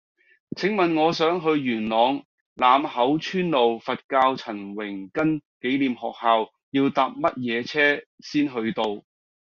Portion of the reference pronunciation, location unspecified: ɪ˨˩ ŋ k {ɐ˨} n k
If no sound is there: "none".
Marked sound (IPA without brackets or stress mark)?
ɐ˥